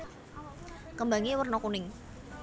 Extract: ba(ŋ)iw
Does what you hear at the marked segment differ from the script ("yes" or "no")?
no